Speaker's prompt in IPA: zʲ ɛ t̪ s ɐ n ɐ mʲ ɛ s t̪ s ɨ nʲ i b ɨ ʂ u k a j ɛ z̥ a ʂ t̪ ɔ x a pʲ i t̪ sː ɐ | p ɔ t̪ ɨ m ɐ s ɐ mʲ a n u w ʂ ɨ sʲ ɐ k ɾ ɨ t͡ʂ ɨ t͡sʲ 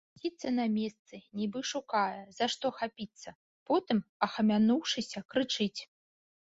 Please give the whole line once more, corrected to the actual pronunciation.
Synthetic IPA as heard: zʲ i t̪ s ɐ n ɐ mʲ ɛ s t̪ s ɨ nʲ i b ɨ ʂ u k a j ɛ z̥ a ʂ t̪ ɔ x a pʲ i t̪ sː ɐ | p ɔ t̪ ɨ m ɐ x ɐ mʲ a n u w ʂ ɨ sʲ ɐ k ɾ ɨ t͡ʂ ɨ t͡sʲ